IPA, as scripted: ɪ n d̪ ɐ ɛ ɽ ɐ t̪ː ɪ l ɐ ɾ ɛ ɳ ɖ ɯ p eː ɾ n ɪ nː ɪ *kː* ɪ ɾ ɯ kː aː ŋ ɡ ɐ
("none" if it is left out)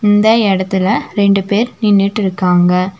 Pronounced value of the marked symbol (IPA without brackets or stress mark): ʈː